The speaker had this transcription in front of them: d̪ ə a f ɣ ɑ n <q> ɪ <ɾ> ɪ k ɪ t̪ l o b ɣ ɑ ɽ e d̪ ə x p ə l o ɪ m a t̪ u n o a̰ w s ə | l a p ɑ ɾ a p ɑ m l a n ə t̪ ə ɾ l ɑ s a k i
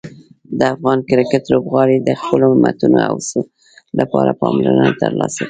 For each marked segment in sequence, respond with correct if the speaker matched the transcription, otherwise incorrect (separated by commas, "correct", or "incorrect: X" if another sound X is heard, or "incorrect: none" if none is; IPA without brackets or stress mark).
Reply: incorrect: k, correct